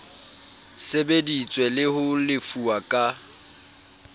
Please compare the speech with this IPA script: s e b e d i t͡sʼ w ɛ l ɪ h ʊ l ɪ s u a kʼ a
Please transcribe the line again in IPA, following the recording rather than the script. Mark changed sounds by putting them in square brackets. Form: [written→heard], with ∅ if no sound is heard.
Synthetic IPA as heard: s e b e d i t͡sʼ w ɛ l ɪ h ʊ l ɪ [s→f] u a kʼ a